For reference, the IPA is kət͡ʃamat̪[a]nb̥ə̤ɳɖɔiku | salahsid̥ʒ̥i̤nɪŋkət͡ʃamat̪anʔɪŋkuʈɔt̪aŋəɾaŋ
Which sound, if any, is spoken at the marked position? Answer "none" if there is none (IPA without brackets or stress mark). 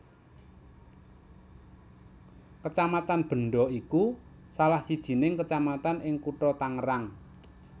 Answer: a